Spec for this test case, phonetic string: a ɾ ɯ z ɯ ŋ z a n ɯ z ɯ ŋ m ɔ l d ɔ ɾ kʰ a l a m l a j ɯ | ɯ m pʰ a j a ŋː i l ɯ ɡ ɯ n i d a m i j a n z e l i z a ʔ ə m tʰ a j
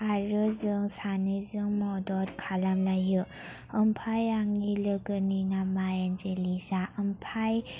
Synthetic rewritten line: a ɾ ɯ z ɯ ŋ s a n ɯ z ɯ ŋ m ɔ d ɔ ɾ kʰ a l a m l a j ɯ | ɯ m pʰ a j a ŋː i l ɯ ɡ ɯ n i n a m a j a n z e l i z a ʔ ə m pʰ a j